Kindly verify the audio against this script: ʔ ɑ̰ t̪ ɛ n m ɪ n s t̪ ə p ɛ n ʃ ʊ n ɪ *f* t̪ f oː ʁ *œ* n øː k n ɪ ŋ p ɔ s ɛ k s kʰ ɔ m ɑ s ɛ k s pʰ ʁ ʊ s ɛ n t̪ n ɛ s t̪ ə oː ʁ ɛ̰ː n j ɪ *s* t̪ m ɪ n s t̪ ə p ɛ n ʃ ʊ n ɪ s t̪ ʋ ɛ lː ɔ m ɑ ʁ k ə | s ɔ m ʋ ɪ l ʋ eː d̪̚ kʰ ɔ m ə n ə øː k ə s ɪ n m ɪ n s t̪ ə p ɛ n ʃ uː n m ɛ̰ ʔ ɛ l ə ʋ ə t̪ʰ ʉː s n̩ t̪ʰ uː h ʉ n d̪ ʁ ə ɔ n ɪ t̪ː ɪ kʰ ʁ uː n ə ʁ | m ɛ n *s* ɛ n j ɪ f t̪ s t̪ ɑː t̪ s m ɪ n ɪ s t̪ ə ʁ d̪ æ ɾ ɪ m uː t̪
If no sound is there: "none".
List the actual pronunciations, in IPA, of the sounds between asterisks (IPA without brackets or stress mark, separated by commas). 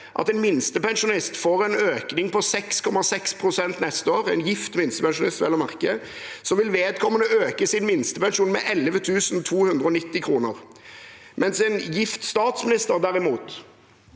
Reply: s, ɛ, f, s